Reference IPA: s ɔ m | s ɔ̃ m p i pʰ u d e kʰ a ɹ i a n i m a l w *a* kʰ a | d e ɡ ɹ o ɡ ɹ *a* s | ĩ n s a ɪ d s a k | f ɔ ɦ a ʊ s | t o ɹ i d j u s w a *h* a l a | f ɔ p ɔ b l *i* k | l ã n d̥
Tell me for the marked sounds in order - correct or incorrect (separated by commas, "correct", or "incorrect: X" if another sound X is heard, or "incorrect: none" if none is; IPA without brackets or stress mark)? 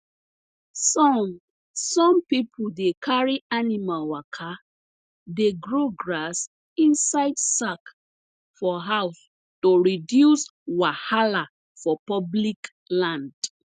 correct, correct, correct, correct